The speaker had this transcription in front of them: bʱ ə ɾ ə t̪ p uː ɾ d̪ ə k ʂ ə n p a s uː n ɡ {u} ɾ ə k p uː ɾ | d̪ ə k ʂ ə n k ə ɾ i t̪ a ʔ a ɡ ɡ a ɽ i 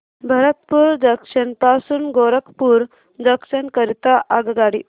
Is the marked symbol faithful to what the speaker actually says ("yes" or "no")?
no